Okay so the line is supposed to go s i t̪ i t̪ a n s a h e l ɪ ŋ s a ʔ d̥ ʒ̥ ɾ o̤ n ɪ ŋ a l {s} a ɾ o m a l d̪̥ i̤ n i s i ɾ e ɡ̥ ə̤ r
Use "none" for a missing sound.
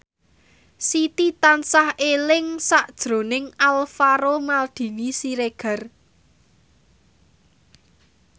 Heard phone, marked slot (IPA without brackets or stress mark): f